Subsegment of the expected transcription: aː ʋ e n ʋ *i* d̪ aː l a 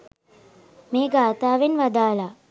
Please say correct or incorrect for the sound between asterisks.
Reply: incorrect